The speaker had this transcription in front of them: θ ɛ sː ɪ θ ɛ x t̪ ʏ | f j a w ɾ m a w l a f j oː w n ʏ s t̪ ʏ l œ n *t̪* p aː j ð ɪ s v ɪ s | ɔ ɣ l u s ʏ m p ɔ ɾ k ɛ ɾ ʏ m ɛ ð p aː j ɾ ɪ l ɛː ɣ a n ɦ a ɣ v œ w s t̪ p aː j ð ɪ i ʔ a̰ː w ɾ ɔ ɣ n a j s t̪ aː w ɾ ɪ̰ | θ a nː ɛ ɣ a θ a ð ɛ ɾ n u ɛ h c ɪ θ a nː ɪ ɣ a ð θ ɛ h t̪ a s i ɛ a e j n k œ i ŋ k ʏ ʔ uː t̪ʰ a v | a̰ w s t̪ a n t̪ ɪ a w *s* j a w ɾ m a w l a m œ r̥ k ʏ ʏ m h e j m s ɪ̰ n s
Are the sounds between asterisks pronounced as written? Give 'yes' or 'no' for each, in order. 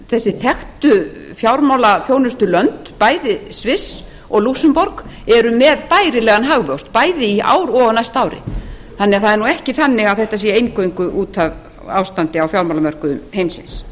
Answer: yes, no

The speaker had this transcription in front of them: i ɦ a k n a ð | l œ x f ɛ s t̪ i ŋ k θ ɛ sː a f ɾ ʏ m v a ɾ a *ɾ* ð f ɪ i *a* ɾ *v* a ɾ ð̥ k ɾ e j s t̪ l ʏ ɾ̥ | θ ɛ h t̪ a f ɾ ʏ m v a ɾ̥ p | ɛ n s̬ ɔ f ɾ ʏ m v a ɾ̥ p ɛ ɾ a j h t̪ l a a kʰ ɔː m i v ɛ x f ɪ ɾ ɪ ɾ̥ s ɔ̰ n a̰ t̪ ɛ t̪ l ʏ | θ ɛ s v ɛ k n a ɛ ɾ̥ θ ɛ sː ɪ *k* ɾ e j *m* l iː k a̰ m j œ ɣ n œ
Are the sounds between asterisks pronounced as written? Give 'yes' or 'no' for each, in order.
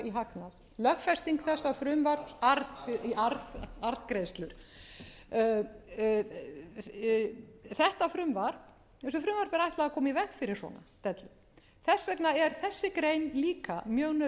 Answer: yes, yes, no, yes, no

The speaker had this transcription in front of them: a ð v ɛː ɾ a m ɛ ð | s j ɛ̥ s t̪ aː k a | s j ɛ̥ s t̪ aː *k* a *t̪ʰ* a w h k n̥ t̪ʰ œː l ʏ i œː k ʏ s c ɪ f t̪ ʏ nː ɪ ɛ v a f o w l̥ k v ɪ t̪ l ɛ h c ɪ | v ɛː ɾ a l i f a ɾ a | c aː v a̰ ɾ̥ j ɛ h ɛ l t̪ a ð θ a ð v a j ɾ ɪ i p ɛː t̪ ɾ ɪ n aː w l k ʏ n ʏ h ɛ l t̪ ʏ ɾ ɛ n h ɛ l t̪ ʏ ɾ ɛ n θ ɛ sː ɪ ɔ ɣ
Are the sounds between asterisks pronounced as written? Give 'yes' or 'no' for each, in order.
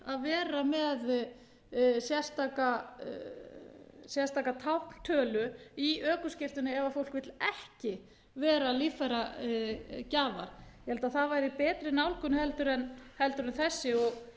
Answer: yes, yes

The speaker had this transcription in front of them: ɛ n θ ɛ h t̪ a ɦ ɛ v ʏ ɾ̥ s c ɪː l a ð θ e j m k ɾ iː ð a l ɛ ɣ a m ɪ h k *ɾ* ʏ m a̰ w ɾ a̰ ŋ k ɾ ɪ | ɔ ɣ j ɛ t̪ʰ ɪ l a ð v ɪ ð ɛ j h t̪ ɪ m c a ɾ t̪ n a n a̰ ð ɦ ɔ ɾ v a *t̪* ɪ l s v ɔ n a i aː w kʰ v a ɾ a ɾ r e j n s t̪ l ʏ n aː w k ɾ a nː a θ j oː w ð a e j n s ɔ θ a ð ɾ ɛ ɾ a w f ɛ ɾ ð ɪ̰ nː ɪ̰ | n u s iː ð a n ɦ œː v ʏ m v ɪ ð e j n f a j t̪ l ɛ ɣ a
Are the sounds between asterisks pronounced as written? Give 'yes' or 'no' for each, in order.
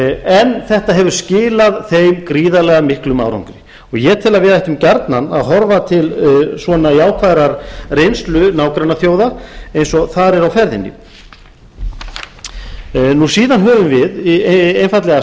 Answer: no, no

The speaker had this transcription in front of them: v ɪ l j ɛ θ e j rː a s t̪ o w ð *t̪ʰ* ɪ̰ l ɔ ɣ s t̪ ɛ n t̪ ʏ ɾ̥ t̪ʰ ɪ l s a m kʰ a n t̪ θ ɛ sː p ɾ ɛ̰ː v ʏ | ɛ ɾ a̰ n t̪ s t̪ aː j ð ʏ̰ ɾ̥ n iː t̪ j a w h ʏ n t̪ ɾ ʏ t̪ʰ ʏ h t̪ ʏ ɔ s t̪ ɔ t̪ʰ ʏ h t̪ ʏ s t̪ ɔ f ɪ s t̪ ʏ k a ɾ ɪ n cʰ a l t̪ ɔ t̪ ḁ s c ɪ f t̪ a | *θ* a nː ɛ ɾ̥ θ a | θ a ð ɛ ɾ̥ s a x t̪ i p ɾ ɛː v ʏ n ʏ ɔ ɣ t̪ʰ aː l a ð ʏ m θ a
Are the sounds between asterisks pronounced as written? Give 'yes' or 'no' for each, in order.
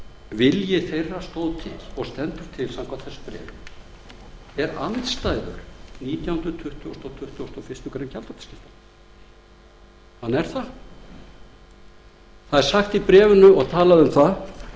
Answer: yes, no

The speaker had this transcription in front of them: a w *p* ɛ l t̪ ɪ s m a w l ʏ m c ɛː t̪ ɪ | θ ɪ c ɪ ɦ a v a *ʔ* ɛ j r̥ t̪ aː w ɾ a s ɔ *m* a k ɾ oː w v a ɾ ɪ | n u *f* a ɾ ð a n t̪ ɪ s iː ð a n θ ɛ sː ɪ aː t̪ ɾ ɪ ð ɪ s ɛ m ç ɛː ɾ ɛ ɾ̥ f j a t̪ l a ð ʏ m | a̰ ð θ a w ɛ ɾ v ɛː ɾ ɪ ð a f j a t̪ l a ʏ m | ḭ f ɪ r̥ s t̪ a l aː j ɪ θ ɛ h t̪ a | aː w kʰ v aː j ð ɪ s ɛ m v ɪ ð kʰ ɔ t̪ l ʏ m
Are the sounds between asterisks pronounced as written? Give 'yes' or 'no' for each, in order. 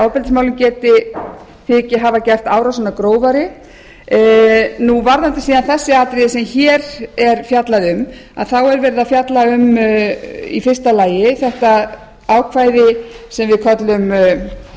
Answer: yes, no, no, no

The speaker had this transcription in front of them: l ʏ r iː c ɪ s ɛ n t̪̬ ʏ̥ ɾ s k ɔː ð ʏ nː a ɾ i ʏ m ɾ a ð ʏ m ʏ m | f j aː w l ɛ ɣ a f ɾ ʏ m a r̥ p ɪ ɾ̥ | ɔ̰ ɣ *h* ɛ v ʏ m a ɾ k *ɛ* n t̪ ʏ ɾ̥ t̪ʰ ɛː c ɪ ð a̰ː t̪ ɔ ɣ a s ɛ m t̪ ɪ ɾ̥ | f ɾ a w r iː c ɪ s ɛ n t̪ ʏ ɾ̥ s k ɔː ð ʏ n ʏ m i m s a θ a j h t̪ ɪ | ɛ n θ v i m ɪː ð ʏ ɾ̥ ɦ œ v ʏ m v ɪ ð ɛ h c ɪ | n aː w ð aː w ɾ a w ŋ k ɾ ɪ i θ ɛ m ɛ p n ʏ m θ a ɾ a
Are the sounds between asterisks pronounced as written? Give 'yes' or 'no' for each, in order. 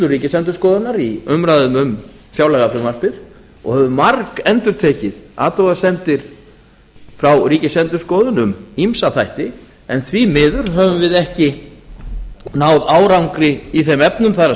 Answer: yes, yes

